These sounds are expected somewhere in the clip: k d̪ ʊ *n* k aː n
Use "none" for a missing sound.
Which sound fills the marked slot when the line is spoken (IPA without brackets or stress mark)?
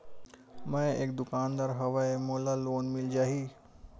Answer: none